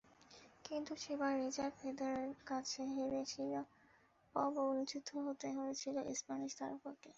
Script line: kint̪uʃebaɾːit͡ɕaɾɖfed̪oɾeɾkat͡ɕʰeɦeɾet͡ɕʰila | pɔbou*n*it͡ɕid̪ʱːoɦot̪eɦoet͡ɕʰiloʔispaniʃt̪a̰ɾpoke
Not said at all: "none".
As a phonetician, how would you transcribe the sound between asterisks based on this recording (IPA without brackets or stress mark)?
n